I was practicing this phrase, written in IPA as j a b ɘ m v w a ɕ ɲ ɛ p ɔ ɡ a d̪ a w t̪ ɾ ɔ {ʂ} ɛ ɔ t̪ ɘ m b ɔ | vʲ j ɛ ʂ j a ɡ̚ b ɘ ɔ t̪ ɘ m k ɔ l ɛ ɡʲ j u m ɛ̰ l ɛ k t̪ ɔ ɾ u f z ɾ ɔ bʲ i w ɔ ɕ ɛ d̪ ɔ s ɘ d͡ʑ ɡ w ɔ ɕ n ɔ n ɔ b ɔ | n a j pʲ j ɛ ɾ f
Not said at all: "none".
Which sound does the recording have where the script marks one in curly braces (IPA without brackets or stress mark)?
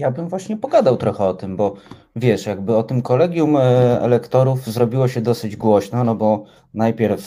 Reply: x